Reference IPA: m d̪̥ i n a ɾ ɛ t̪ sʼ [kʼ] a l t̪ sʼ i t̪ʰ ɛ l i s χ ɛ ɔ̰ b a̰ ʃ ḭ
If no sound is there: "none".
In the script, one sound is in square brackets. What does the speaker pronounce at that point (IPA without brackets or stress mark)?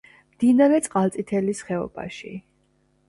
qʼ